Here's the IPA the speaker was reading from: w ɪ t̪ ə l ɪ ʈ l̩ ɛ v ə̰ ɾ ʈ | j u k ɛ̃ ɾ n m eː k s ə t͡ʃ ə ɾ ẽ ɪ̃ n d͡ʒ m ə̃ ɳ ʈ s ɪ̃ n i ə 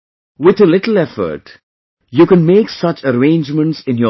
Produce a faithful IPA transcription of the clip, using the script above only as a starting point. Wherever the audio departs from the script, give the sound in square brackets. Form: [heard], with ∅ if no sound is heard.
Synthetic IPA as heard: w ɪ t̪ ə l ɪ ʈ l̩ ɛ [f] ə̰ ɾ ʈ | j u k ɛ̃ [∅] n m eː k s [ʌ] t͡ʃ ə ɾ ẽ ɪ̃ n d͡ʒ m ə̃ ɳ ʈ s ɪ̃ n [j] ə

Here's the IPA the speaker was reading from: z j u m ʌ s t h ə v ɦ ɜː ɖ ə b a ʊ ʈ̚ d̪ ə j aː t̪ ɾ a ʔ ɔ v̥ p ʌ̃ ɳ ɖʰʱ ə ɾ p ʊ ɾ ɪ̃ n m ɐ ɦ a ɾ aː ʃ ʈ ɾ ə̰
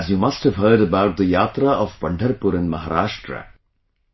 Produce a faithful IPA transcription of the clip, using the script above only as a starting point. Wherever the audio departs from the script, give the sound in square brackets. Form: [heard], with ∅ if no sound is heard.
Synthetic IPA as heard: z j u m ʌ s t h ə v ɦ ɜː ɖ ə b a ʊ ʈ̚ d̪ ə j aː t̪ ɾ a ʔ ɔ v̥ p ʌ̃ ɳ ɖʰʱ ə ɾ p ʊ ɾ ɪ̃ n m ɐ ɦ a ɾ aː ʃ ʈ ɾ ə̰

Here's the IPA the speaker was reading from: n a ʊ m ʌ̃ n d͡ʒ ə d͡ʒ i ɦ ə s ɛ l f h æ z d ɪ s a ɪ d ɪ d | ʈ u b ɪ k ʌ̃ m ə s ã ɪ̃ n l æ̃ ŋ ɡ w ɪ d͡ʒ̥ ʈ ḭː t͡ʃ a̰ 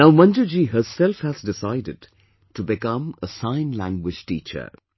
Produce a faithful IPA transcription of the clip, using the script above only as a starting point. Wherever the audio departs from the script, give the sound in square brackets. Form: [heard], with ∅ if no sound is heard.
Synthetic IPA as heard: n a ʊ m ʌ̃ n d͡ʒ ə d͡ʒ i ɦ ə s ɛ l f h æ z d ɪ s a ɪ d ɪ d | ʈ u b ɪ k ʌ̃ m ə s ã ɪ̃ n l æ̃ ŋ ɡ w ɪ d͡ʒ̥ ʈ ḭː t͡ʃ [ə̰]

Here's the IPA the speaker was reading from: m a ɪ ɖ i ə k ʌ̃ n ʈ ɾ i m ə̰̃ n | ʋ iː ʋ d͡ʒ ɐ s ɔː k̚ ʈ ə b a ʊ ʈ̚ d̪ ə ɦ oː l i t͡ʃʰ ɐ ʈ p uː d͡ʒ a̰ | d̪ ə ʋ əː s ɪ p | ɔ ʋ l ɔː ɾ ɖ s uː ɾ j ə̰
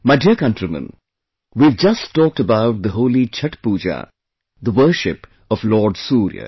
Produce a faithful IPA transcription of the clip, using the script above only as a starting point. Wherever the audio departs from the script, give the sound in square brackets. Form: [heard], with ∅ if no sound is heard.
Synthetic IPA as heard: m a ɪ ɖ i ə k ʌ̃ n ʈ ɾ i m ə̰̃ n | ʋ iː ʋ d͡ʒ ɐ s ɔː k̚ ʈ ə b a ʊ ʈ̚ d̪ ə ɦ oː l i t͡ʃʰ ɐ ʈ p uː d͡ʒ a̰ | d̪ ə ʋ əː [ʃ] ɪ p | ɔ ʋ l ɔː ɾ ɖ s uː ɾ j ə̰

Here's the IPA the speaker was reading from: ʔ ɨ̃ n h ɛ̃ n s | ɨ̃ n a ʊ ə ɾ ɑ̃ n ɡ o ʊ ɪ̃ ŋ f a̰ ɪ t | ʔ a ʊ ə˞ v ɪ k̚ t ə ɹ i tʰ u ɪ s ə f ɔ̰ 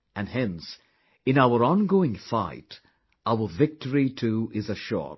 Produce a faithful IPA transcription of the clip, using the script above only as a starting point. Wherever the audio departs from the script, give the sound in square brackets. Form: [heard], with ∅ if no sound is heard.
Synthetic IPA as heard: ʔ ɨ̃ n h ɛ̃ n s | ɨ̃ n a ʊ ə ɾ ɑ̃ n ɡ o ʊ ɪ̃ ŋ f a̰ ɪ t | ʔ a ʊ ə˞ v ɪ k̚ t ə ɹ i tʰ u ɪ [z] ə [ʃ] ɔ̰

